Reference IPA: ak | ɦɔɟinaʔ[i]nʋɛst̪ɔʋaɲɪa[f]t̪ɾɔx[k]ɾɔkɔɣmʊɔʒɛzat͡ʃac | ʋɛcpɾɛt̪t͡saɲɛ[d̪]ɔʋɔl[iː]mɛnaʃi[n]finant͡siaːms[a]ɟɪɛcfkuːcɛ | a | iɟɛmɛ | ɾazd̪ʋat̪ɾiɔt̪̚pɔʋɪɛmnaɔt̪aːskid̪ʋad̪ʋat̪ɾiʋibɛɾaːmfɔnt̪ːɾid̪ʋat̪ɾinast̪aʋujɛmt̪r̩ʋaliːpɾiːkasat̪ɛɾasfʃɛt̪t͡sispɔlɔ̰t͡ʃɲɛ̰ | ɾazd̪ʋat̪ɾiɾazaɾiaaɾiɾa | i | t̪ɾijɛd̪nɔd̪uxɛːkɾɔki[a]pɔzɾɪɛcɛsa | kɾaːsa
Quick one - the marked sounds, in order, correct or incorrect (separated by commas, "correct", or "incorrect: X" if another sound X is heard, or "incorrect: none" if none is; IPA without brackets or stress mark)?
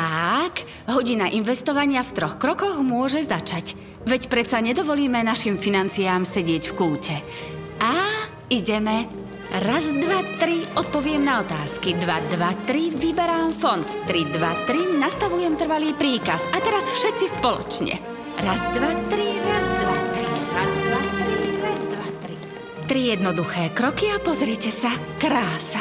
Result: correct, correct, correct, correct, correct, incorrect: m, incorrect: ɛ, correct